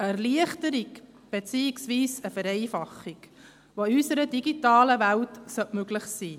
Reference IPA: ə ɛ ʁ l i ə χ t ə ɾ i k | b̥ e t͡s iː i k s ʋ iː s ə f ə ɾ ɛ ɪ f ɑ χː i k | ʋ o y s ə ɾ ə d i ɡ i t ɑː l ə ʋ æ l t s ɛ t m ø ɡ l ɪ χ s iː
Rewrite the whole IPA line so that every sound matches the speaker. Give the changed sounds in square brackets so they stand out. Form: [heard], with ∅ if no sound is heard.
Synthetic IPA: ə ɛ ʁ l i ə χ t ə ɾ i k | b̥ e t͡s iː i k s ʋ iː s ə f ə ɾ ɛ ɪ f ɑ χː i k | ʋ o y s ə ɾ ə d i ɡ i t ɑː l ə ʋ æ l t s [œ] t m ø ɡ l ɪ χ s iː